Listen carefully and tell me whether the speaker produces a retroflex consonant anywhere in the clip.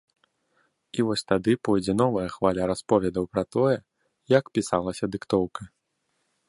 no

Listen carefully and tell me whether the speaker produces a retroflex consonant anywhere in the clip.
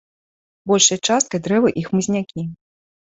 yes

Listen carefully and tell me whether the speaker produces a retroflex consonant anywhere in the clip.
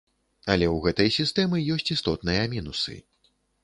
no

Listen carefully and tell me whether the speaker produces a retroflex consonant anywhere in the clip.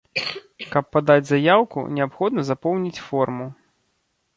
no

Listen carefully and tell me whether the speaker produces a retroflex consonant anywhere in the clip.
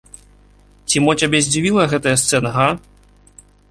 no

